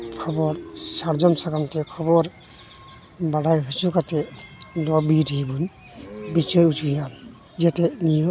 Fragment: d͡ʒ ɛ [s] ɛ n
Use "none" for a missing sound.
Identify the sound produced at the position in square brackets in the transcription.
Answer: t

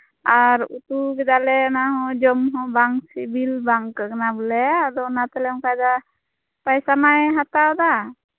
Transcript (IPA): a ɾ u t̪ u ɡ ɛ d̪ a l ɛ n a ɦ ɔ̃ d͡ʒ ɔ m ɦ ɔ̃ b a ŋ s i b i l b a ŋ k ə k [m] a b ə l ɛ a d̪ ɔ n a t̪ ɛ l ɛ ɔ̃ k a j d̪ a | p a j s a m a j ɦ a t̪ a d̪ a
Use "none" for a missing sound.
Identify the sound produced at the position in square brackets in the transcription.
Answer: n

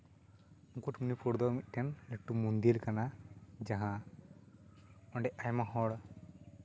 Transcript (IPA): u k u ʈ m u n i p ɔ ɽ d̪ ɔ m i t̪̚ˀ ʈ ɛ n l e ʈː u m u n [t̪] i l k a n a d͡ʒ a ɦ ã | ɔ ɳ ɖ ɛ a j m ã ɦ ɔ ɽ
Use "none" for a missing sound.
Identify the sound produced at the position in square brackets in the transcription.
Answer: d̪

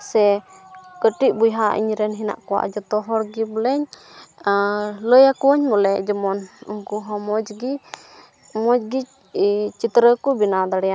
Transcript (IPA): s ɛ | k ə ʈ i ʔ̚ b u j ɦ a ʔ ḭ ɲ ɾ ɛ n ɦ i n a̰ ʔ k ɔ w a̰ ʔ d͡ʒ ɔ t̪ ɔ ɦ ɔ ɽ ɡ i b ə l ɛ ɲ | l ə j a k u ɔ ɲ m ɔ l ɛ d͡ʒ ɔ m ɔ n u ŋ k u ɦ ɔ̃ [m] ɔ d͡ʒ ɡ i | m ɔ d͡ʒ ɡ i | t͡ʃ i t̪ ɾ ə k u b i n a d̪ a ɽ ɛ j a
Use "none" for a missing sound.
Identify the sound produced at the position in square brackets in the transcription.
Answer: m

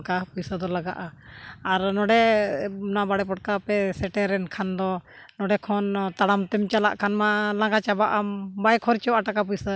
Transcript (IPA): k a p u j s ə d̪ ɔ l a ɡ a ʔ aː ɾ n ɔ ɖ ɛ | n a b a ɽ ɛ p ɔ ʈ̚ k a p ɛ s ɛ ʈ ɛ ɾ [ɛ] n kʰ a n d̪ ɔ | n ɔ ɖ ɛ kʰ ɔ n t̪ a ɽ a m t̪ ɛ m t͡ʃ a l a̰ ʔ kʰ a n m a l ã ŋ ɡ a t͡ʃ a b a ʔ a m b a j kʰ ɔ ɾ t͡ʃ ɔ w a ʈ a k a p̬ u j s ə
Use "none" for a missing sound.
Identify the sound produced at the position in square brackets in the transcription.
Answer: ɛ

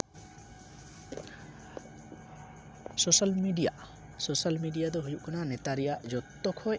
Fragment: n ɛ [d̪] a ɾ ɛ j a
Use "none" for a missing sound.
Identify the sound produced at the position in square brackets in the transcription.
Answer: t̪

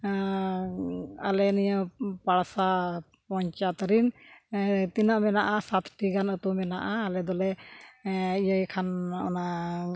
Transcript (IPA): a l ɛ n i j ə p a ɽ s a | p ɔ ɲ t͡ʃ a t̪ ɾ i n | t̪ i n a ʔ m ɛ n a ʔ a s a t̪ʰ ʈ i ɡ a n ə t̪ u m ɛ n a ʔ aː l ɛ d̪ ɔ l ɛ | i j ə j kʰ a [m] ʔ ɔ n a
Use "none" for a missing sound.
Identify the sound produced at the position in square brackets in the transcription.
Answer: n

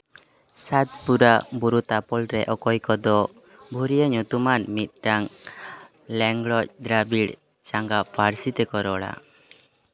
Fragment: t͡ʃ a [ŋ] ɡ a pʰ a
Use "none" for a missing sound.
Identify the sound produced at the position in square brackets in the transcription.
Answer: ŋ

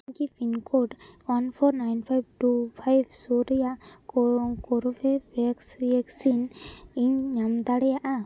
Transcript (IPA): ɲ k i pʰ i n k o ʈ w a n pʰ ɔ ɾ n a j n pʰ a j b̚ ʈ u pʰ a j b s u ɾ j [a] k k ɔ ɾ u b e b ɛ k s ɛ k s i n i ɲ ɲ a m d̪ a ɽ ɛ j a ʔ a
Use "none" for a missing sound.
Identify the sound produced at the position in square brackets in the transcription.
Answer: a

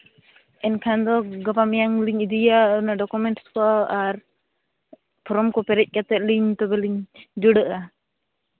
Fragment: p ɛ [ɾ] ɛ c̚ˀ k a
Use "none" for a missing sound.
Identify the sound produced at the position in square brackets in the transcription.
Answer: ɾ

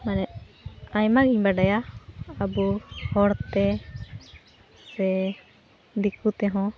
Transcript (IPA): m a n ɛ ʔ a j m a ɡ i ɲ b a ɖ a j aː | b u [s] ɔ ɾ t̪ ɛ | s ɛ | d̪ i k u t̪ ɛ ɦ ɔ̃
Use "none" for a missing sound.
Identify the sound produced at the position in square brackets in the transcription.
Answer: h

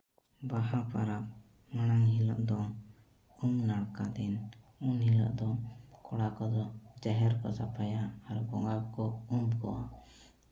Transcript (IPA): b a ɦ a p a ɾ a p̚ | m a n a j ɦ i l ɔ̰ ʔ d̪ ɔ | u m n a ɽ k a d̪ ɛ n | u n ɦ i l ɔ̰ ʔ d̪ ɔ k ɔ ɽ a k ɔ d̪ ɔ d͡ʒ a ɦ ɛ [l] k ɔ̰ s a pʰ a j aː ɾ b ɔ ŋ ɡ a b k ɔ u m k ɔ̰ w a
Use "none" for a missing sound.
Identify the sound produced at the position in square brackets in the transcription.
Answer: ɾ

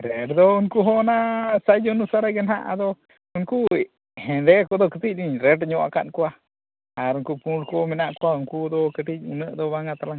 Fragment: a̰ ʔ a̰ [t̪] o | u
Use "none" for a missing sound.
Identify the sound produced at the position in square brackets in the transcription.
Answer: d̪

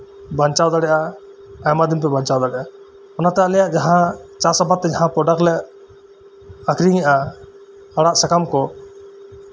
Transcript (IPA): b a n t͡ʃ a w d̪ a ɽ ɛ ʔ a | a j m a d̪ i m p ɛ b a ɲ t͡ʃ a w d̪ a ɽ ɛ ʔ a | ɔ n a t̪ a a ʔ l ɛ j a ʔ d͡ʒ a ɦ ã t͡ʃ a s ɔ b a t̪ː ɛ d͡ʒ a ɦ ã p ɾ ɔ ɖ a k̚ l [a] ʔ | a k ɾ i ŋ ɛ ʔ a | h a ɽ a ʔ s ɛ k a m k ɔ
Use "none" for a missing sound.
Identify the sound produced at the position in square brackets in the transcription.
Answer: ɛ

